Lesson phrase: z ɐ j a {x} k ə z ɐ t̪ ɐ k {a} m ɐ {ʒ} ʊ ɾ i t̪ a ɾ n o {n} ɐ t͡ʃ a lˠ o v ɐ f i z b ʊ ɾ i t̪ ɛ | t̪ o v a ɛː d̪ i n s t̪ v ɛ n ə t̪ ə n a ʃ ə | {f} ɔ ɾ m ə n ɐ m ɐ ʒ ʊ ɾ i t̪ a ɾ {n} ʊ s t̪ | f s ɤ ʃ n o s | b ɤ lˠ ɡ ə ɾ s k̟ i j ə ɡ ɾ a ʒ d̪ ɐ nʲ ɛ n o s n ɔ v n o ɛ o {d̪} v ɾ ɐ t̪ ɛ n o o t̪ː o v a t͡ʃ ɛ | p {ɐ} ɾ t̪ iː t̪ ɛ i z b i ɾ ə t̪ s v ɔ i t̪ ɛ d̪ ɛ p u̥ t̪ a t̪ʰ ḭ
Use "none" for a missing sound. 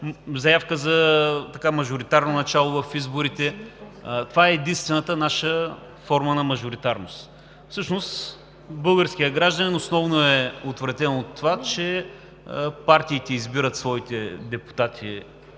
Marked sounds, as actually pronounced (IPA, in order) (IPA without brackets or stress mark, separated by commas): f, a, ʒ, n, f, n, t̪, a